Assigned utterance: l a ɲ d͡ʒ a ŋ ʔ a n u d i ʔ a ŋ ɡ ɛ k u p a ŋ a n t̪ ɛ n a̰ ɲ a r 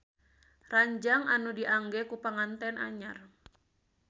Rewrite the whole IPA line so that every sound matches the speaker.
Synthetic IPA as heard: r a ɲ d͡ʒ a ŋ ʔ a n u d i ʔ a ŋ ɡ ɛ k u p a ŋ a n t̪ ɛ n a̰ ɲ a r